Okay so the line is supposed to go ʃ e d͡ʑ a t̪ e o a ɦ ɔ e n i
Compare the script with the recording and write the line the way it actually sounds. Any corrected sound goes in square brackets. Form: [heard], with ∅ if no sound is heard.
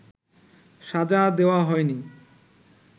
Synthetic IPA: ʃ [a] d͡ʑ a [d̪] e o a ɦ ɔ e n i